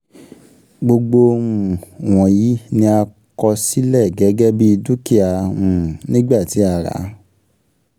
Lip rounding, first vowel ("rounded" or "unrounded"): rounded